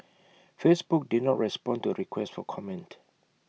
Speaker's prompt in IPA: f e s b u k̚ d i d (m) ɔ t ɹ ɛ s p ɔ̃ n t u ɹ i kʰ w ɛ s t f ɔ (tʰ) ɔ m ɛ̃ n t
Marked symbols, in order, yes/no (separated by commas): no, no